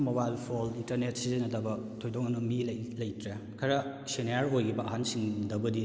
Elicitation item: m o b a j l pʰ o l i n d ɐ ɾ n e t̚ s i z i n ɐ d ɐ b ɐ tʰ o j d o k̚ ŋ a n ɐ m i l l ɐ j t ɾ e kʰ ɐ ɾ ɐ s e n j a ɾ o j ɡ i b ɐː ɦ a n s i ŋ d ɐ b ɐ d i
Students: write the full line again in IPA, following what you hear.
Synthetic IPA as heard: m o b a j l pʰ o l i n t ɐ ɾ n e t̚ s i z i n ɐ d ɐ b ɐ tʰ o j d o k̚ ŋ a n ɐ m i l l ɐ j t ɾ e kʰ ɐ ɾ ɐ s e n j a ɾ o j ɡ i b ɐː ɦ a n s i ŋ d ɐ b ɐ d i